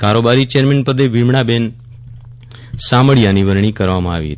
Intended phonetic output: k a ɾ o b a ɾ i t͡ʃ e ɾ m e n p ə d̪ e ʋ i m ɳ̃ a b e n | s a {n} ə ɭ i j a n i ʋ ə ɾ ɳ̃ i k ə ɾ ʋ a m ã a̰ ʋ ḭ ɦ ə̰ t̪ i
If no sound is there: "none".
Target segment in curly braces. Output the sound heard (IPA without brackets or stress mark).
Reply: m